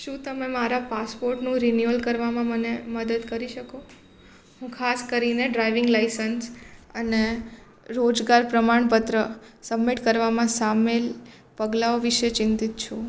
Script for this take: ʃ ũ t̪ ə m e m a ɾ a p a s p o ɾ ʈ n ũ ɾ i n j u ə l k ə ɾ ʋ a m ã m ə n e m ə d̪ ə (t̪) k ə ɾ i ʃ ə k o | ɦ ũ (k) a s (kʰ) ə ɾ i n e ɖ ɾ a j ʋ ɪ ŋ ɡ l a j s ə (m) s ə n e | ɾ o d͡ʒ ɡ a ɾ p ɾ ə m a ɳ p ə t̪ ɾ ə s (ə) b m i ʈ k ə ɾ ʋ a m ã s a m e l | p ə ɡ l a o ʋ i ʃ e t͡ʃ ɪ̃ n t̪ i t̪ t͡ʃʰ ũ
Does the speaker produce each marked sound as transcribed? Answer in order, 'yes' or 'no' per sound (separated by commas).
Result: no, no, no, no, yes